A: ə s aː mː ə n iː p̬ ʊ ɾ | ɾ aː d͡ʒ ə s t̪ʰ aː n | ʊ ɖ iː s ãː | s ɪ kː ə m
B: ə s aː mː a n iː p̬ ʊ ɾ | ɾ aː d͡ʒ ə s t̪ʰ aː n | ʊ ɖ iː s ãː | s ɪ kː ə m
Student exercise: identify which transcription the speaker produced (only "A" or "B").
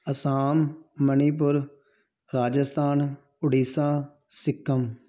A